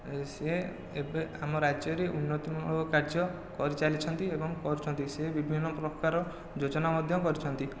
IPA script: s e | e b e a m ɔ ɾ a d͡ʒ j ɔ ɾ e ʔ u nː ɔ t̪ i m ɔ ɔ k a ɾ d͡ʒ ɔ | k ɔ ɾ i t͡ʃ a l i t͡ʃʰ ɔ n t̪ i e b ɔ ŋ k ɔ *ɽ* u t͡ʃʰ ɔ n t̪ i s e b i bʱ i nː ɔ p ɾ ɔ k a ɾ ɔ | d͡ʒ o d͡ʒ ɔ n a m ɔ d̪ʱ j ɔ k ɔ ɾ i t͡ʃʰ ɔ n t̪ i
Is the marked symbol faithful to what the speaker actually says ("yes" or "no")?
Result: no